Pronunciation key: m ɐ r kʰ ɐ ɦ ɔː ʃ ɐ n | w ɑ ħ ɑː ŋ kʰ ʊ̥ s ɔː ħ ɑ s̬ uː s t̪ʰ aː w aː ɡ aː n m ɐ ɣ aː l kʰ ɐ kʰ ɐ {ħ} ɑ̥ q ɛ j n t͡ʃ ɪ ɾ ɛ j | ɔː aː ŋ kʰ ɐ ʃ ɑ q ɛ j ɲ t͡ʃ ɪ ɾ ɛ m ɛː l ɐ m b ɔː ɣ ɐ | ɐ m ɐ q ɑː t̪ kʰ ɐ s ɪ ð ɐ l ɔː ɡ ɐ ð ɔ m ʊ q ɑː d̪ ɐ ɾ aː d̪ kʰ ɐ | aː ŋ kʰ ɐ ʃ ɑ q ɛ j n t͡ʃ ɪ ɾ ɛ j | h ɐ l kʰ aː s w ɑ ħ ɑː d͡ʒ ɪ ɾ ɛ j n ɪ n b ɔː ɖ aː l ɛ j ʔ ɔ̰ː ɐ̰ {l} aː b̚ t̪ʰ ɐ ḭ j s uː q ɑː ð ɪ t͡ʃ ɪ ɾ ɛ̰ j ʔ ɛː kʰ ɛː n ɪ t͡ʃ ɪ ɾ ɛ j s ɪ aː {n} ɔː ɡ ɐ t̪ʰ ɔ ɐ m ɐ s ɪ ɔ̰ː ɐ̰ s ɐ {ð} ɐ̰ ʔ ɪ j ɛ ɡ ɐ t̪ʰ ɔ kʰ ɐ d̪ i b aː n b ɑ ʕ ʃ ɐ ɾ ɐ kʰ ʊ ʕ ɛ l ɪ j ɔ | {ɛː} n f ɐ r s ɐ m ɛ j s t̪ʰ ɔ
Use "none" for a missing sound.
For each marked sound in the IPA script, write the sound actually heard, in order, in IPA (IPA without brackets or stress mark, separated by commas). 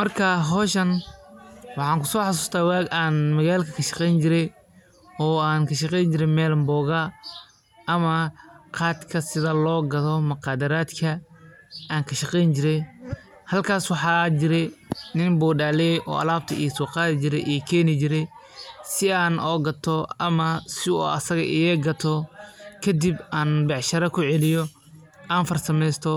ʃ, l, n, ɣ, aː